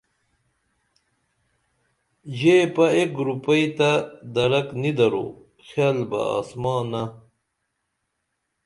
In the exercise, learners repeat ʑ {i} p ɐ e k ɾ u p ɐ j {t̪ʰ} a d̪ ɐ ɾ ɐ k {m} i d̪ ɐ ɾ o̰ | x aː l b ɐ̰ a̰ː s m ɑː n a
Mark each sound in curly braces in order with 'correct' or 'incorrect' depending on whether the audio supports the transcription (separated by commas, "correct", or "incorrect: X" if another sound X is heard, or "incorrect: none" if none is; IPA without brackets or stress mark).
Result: incorrect: e, incorrect: t̪, incorrect: n